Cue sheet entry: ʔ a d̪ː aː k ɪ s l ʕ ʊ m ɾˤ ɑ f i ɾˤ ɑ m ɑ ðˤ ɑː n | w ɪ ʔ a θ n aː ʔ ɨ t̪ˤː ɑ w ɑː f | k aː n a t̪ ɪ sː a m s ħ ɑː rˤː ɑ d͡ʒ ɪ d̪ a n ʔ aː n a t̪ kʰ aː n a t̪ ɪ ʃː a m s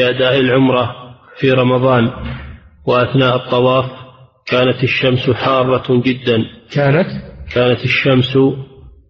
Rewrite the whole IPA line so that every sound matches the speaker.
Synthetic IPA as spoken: ʔ a d̪ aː ʔ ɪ l ʕ ʊ m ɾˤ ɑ f i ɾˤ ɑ m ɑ ðˤ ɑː n | w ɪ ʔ a θ n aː ʔ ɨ t̪ˤː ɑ w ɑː f | k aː n a t̪ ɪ ʃː a m s ħ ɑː rˤː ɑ d͡ʒ ɪ d̪ː a n k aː n a t̪ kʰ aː n a t̪ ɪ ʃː a m s